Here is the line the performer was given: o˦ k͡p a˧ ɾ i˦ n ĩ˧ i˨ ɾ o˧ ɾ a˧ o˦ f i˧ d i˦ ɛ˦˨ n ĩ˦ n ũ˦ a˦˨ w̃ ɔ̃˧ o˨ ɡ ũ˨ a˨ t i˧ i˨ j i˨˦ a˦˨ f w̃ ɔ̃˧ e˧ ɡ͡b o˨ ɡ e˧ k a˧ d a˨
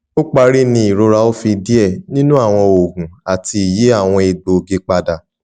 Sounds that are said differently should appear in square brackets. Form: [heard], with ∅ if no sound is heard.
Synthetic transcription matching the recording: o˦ k͡p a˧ ɾ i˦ n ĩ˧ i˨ ɾ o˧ ɾ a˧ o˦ f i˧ d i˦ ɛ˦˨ n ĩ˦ n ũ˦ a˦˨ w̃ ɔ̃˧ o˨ ɡ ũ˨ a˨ t i˧ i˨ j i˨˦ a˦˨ [∅] w̃ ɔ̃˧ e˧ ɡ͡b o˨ ɡ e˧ [k͡p] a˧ d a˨